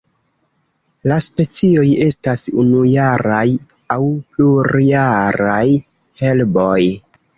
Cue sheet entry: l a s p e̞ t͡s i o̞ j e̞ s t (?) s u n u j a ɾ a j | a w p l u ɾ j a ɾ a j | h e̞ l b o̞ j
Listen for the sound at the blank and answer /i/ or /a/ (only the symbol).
a